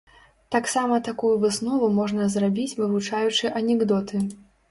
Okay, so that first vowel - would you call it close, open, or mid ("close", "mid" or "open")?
open